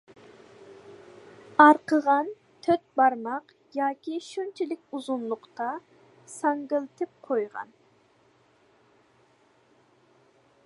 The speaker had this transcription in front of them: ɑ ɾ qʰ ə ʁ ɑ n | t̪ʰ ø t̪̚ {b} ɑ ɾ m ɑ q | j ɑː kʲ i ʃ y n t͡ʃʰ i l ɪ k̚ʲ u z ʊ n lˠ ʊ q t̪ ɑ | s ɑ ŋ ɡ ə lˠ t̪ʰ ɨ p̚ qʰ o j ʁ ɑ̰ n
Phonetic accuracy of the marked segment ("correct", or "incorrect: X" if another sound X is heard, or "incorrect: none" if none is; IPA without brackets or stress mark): correct